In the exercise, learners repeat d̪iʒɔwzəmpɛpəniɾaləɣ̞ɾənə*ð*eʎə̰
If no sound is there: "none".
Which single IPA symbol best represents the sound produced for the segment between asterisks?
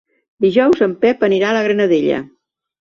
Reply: ð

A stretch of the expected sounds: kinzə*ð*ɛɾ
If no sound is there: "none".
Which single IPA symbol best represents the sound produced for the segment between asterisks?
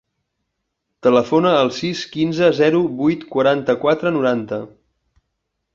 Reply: z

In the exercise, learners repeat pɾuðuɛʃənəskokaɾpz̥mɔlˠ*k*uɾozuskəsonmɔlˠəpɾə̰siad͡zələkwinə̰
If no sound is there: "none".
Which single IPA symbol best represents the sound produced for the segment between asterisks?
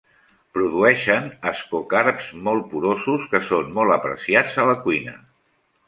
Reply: p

